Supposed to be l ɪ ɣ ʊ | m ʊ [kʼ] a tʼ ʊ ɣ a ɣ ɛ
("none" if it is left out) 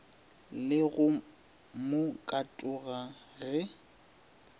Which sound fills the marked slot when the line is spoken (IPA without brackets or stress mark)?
kʼ